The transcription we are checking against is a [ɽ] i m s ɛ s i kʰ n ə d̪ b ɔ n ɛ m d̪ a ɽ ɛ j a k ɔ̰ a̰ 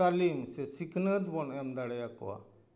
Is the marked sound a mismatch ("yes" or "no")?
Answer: yes